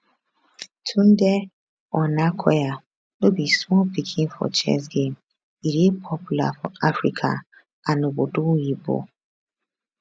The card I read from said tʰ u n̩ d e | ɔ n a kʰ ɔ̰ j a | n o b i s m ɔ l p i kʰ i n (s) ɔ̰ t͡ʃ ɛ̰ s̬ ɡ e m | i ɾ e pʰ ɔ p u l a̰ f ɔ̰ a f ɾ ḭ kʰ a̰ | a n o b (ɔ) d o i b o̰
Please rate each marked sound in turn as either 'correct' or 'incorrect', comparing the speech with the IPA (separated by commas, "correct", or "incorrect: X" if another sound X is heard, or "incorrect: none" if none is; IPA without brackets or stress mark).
incorrect: f, incorrect: o